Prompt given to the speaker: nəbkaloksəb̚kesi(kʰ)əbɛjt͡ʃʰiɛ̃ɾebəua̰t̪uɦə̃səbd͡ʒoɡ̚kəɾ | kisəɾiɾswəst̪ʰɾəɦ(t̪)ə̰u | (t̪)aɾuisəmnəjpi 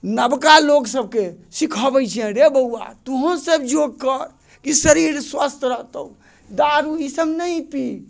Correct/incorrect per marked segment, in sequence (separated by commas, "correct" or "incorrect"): correct, correct, incorrect